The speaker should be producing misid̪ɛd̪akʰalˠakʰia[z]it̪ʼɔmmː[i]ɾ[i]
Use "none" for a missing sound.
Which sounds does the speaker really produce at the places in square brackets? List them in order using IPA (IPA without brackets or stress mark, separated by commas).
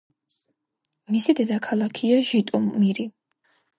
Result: ʒ, i, i